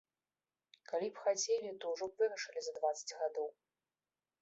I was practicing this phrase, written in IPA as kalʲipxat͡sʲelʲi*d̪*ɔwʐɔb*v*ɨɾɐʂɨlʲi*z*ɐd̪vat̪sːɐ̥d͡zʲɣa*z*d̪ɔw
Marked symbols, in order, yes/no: no, yes, yes, no

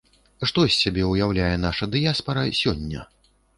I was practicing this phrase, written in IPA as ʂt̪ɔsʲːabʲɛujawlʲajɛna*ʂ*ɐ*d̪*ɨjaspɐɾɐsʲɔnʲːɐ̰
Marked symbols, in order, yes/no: yes, yes

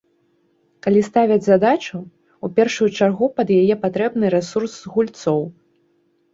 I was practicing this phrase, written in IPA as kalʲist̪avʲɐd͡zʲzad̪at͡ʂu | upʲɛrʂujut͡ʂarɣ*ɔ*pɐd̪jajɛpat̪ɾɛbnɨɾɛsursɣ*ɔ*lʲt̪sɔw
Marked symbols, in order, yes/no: no, no

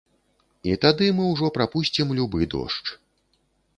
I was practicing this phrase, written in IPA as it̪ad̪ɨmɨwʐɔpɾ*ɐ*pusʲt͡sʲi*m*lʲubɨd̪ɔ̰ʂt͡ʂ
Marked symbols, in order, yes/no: no, yes

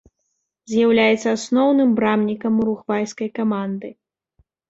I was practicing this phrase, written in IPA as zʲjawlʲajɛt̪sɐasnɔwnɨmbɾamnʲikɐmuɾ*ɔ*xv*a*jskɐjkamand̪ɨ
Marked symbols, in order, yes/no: no, yes

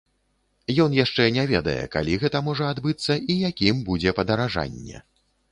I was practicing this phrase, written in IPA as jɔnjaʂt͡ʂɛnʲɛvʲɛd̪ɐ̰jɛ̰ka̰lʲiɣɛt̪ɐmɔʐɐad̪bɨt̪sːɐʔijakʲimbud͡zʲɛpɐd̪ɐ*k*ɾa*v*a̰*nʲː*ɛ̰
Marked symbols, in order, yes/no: no, no, yes

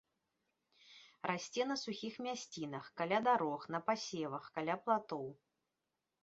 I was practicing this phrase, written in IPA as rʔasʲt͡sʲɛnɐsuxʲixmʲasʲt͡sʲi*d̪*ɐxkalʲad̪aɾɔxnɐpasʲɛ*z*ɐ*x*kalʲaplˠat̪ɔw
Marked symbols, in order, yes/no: no, no, yes

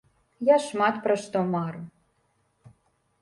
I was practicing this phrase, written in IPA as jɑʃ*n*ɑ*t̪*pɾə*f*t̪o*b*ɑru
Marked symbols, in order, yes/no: no, yes, no, no

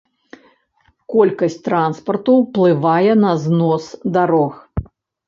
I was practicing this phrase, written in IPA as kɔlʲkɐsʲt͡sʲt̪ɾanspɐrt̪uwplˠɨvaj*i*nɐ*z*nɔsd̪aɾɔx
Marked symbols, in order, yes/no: no, yes

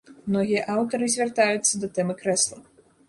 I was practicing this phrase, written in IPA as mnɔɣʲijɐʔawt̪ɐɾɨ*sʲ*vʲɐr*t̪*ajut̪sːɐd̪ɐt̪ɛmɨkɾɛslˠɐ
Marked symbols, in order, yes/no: no, yes

